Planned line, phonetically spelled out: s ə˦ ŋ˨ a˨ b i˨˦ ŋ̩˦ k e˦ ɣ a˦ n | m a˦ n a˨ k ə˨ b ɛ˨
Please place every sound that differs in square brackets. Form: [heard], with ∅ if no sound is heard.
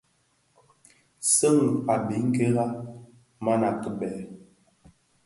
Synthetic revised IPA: s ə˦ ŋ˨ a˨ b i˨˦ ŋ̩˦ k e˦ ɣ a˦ [∅] | m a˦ n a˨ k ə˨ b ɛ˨

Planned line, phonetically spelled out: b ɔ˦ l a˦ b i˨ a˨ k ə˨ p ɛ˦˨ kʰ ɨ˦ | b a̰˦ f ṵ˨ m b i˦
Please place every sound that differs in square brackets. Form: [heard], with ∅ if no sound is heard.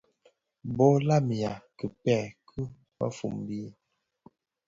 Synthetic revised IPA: b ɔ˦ l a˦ [m] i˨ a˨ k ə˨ p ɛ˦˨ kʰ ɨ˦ | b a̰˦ f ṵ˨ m b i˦

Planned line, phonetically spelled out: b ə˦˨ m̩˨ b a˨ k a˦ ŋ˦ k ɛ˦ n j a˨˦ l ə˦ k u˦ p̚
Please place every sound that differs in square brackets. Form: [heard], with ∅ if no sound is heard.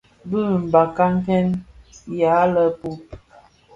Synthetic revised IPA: b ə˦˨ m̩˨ b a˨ k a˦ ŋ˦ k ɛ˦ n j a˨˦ l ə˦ [p] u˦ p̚

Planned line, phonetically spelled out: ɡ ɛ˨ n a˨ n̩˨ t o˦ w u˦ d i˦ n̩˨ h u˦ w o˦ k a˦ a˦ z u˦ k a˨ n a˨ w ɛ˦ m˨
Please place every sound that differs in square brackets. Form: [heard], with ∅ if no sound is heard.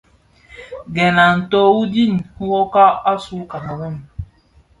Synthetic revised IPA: ɡ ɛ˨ n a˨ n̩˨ t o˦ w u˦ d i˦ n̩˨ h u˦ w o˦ k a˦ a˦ [s] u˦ k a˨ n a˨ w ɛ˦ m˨

